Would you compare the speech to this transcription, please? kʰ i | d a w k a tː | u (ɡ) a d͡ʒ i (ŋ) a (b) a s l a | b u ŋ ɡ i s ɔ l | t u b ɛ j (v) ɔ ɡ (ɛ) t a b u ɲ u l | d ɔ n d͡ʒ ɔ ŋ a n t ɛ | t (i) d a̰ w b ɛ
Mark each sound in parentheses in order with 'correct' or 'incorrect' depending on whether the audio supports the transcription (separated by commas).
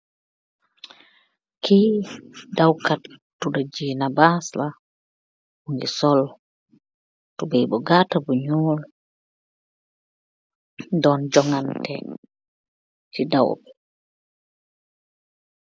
incorrect, incorrect, correct, incorrect, incorrect, correct